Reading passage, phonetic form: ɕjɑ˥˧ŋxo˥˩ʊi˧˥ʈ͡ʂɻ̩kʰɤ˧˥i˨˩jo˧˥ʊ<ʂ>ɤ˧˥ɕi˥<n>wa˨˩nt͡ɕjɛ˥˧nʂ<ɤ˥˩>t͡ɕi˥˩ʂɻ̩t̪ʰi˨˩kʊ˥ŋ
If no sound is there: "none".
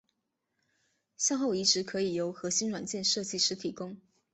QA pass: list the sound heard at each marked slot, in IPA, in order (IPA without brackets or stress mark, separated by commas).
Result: x, n, ɤ˥˧